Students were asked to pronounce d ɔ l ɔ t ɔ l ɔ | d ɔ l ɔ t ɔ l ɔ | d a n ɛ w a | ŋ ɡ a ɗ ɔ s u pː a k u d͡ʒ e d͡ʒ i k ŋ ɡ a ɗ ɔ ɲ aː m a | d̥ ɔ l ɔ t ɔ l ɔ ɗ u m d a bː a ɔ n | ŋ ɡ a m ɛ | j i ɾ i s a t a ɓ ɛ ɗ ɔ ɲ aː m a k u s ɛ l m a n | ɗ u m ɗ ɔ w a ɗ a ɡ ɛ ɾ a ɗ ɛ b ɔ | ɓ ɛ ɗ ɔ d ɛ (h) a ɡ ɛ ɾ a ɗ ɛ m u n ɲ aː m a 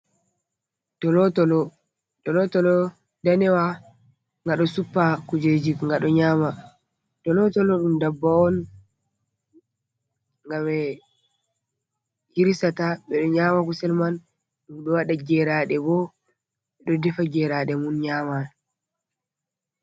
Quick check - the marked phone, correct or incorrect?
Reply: incorrect